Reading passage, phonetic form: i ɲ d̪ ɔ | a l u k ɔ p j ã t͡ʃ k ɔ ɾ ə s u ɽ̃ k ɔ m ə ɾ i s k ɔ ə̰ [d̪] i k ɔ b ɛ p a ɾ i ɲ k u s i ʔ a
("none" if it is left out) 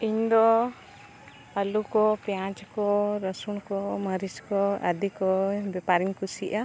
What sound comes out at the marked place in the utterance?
d̪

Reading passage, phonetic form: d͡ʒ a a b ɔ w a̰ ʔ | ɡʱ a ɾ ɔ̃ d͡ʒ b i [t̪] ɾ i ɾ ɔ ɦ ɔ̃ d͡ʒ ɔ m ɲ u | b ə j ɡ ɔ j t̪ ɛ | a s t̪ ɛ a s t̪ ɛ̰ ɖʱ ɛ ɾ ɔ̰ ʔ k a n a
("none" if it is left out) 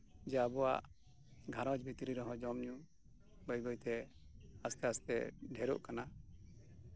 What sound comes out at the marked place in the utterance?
t̪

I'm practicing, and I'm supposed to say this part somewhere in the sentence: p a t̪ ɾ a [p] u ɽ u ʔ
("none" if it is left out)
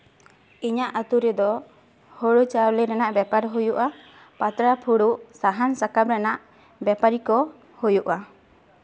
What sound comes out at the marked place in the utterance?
pʰ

